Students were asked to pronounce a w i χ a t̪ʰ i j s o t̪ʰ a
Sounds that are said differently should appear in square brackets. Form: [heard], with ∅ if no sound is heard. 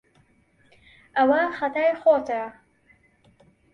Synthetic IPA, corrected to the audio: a w [a] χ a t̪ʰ [a] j [χ] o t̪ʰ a